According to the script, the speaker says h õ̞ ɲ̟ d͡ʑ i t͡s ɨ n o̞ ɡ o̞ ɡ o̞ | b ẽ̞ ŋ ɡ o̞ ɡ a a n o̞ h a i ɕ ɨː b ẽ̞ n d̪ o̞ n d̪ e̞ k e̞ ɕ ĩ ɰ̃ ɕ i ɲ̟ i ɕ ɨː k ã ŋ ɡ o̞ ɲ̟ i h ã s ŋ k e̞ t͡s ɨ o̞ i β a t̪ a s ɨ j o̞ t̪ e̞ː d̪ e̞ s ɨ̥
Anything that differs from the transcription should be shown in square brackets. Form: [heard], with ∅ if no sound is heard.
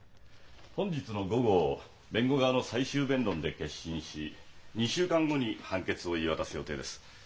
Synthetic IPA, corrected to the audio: h õ̞ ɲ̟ d͡ʑ i t͡s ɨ n o̞ ɡ o̞ ɡ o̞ | b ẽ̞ ŋ ɡ o̞ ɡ a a n o̞ [s] a i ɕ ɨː b ẽ̞ n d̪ [õ̞] n d̪ e̞ k e̞ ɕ ĩ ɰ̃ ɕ i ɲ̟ i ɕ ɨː k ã ŋ ɡ o̞ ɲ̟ i h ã [∅] ŋ k e̞ t͡s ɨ o̞ i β a t̪ a s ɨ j o̞ t̪ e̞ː d̪ e̞ s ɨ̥